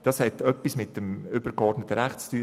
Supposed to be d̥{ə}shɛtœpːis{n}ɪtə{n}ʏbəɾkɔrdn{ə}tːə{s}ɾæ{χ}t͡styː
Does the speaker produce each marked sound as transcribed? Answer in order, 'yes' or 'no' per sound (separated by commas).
no, no, no, yes, no, yes